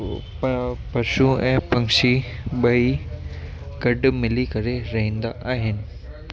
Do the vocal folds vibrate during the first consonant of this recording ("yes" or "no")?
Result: no